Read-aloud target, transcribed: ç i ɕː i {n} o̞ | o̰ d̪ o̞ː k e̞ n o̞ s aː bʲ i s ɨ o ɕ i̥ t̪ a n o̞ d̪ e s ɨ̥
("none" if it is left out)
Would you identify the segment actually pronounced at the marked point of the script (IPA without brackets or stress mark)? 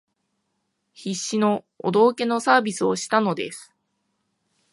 n